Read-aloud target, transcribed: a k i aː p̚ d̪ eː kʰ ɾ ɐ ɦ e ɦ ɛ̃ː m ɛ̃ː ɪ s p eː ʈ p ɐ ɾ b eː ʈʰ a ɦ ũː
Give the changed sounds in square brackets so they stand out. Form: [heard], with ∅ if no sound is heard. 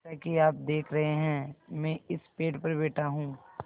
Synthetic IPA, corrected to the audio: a k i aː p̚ d̪ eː kʰ ɾ ɐ ɦ e ɦ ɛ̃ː m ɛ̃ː ɪ s p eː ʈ p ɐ ɾ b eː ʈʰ a ɦ ũː